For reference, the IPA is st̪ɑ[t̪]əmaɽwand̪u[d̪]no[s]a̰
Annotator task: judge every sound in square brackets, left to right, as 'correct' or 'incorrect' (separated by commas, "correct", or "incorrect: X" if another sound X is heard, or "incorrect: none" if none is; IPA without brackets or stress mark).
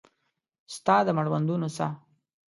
incorrect: d̪, incorrect: none, correct